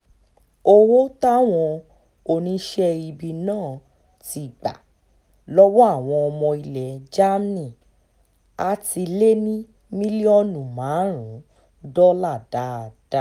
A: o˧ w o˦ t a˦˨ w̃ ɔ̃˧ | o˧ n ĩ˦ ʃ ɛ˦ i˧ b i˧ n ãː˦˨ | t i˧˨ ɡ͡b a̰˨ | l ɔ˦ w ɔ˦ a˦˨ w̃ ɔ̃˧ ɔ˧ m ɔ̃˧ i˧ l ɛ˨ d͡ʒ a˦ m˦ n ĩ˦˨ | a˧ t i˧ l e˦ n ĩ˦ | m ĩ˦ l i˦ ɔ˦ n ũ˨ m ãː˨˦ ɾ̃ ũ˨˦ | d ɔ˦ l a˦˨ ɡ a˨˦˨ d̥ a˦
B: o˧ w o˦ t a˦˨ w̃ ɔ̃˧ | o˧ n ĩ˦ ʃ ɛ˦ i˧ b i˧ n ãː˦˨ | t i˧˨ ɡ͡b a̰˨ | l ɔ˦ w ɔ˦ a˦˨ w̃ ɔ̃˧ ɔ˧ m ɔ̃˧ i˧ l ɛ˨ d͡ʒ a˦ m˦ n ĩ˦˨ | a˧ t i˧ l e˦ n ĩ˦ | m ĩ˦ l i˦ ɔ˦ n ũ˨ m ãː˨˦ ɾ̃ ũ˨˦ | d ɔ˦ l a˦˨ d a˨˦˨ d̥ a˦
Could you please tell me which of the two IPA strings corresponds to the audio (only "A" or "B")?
B